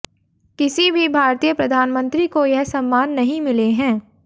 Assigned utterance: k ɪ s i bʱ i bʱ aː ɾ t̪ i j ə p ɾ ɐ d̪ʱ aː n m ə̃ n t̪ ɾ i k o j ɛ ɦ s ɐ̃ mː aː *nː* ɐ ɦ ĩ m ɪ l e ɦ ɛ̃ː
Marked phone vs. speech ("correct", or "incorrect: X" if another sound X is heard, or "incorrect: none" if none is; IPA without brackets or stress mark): correct